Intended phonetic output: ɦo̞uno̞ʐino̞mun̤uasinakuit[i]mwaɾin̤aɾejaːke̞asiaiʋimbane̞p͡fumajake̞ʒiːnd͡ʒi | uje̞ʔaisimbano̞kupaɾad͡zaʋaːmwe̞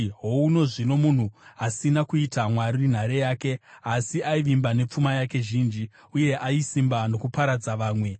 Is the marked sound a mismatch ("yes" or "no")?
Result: yes